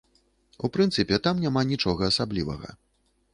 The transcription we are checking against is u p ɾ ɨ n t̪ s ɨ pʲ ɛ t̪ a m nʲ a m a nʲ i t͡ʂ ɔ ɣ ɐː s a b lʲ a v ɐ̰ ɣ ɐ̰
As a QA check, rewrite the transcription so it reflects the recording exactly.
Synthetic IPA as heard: u p ɾ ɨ n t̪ s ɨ pʲ ɛ t̪ a m nʲ a m a nʲ i t͡ʂ ɔ ɣ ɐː s a b lʲ i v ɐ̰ ɣ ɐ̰